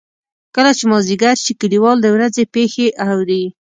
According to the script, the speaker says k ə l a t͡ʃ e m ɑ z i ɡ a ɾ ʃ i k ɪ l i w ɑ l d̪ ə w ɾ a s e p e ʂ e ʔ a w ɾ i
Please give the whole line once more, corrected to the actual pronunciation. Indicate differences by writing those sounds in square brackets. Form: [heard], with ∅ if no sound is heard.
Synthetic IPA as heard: k ə l a t͡ʃ e m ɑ z i ɡ a ɾ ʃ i k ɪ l i w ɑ l d̪ ə w ɾ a [z] e p e [x] e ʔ a w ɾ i